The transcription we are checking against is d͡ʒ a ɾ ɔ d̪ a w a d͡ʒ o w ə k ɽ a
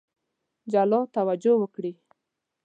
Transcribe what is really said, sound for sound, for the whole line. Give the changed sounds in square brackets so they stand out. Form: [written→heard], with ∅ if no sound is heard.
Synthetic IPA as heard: d͡ʒ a [ɾ→l] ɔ [d̪→t̪] a w a d͡ʒ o w ə k ɽ [a→i]